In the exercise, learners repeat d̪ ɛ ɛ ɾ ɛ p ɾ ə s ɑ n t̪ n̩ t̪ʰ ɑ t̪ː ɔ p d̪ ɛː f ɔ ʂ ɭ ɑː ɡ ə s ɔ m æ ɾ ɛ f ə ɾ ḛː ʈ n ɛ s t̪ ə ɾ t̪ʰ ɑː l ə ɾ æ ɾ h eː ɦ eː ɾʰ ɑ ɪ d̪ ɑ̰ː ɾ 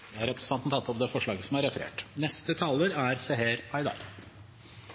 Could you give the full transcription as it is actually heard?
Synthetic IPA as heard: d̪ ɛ æ ɾ ɛ p ɾ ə s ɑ n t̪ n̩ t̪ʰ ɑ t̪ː ɔ p d̪ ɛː f ɔ ʂ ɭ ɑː ɡ ə s ɔ m æ ɾ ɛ f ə ɾ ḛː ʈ n ɛ s t̪ ə t̪ʰ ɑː l ə ɾ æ ɾ s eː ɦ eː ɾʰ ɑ ɪ d̪ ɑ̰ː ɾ